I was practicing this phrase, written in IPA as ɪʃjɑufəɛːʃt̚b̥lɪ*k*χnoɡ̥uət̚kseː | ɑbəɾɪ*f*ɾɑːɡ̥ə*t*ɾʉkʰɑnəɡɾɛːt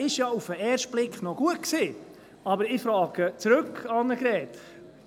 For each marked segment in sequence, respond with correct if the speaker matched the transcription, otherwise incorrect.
correct, correct, incorrect: t͡s

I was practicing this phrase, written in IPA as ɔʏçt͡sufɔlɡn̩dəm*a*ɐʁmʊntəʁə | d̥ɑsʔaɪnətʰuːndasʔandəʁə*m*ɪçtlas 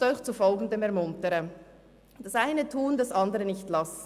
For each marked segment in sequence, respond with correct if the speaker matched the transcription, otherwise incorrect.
incorrect: ɛ, incorrect: n

